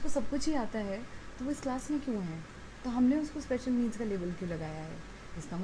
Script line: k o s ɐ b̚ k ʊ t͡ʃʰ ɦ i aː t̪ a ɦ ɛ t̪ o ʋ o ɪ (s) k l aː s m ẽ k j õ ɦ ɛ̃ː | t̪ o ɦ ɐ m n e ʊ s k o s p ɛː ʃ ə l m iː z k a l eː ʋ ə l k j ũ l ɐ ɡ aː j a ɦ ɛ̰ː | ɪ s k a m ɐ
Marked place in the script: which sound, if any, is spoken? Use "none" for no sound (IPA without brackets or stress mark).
s